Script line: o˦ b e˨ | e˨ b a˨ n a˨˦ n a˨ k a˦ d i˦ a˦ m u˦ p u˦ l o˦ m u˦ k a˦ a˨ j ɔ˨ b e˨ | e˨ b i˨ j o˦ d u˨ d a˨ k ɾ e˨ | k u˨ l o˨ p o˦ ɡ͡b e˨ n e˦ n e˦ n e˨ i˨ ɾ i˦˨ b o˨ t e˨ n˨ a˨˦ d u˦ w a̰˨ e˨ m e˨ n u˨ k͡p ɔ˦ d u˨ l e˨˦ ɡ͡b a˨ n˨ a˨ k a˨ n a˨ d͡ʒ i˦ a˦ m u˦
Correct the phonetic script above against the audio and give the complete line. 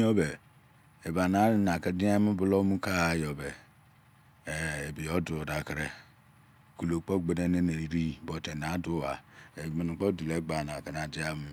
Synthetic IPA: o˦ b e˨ | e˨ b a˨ n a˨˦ n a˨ k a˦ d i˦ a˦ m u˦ b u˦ l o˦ m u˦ k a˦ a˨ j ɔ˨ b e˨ | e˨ b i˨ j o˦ d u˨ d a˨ k ɾ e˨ | k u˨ l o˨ k͡p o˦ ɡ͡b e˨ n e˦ n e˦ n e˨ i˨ ɾ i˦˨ b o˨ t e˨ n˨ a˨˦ d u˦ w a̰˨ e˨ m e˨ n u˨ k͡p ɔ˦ d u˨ l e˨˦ ɡ͡b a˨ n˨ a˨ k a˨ n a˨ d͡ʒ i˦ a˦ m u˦

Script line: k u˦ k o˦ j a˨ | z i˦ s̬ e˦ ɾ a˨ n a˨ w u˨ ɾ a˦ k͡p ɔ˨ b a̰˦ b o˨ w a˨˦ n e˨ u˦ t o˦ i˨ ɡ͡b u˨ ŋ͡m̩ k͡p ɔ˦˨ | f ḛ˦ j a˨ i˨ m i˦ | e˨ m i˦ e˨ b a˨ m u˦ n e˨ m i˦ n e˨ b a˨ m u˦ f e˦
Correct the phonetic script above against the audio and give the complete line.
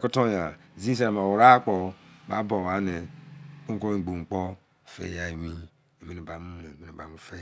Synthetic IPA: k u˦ t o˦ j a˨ | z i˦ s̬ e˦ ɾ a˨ m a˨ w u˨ ɾ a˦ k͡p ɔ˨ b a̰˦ b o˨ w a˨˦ n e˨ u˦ k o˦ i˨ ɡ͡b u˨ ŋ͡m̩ k͡p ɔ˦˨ | f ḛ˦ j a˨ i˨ m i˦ | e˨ m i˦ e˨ b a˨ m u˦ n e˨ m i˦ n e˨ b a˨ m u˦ f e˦

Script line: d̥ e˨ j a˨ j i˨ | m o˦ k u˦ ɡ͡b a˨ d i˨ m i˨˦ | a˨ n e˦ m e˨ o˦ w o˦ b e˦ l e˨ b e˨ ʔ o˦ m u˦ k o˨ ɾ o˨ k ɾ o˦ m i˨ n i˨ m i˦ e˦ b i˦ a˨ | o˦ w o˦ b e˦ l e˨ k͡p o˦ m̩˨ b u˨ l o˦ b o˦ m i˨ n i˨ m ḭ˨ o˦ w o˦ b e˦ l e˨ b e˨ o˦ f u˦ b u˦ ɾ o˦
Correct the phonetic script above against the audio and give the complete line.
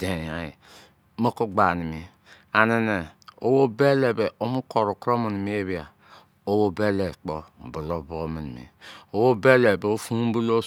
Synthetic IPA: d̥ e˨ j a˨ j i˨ | m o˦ k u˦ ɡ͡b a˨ n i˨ m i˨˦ | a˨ n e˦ n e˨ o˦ w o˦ b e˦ l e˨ b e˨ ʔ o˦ m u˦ k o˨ ɾ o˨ k ɾ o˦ m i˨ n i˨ m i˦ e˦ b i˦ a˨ | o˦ w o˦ b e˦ l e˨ k͡p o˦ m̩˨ b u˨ l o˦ b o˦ m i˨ n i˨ m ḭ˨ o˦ w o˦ b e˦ l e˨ b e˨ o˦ f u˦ b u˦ l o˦

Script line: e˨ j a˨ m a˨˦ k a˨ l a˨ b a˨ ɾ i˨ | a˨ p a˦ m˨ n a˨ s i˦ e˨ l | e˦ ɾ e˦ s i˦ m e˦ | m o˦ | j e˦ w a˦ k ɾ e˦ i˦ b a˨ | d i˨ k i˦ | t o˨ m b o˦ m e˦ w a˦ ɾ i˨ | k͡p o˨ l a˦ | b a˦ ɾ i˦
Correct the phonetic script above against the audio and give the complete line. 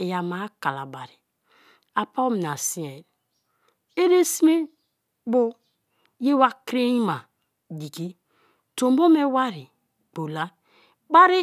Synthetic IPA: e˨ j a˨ m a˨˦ k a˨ l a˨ b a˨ ɾ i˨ | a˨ p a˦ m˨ n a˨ s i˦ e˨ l | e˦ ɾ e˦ s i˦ m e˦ | b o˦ | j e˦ w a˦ k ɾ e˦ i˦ m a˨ | d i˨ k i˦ | t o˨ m b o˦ m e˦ w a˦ ɾ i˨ | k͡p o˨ l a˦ | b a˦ ɾ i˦

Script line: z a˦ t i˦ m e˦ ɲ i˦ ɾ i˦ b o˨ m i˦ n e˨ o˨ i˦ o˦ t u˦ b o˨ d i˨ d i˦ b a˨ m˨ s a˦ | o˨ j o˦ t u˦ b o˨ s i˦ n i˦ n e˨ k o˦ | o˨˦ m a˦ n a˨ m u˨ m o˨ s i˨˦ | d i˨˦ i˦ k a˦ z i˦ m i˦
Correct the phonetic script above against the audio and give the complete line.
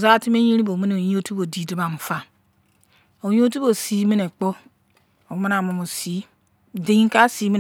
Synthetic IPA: z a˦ t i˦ m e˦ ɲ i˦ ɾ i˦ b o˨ m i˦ n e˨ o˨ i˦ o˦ t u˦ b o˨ d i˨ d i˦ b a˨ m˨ f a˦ | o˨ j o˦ t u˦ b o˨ s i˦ m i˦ n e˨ k͡p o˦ | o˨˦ m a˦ n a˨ m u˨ m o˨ s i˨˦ | d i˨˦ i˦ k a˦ s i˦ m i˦

